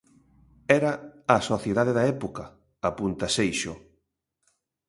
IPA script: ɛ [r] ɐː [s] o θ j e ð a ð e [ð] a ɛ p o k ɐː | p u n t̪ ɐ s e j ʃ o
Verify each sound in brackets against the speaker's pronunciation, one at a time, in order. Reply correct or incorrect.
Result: incorrect: ɾ, correct, correct

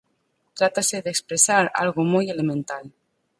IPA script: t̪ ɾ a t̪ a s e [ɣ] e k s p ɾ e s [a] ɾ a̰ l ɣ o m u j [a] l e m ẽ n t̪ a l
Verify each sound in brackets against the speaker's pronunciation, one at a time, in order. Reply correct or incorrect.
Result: incorrect: ð, correct, incorrect: e

